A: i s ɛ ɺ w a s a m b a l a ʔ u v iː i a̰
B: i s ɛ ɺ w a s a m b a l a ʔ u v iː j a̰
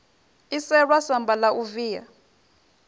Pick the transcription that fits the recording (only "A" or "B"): B